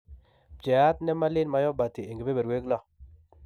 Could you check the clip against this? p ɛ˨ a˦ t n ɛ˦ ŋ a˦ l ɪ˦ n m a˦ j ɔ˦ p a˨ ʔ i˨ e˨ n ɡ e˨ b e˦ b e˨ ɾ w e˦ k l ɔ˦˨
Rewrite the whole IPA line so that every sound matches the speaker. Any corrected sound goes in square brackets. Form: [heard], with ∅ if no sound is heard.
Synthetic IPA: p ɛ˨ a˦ t n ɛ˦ [m] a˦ l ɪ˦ n m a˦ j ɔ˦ [b] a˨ [t] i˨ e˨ [ŋ] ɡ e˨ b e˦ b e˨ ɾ w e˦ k l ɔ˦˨